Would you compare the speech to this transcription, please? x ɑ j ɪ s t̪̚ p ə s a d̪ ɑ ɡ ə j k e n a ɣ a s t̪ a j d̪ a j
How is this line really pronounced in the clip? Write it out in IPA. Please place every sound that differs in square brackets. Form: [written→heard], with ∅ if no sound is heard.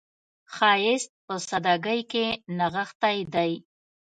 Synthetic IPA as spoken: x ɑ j ɪ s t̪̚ p ə s a d̪ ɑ ɡ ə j k e n a ɣ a [s→x] t̪ a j d̪ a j